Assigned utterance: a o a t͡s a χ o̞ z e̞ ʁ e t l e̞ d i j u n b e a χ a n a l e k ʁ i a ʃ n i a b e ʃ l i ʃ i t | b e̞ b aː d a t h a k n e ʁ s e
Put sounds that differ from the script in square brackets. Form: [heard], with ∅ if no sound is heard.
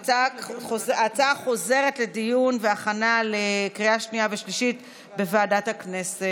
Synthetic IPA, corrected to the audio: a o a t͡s a χ o̞ z e̞ ʁ e t l e̞ d i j u n [v] e a χ a n a l e k ʁ i a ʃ n i a [v] e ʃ l i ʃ i t | b e̞ [v] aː d a t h a k n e [∅] s e